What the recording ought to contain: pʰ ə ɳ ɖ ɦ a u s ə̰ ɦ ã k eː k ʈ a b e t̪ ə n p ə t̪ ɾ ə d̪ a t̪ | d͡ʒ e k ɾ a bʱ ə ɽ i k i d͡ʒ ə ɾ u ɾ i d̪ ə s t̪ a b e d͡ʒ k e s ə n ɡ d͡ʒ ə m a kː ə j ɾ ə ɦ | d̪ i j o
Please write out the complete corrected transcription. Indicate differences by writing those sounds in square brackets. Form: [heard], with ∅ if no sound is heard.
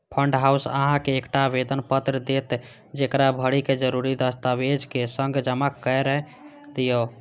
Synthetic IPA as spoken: pʰ ə ɳ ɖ ɦ a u s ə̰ ɦ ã k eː k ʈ a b e [d̪] ə n p ə t̪ ɾ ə d̪ [e] t̪ | d͡ʒ e k ɾ a bʱ ə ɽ i k [e] d͡ʒ ə ɾ u ɾ i d̪ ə s t̪ a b e d͡ʒ k e s ə [ŋ] ɡ d͡ʒ ə m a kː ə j ɾ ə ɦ | d̪ i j o